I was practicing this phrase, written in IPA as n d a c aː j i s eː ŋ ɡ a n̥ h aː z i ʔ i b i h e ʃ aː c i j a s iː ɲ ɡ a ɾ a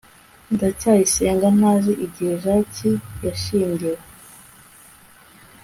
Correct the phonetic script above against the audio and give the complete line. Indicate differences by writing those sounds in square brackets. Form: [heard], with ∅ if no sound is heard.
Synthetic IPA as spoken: n d a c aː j i s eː ŋ ɡ a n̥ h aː z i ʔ i [ɟ] i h e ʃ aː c i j a [ʃ] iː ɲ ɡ [i] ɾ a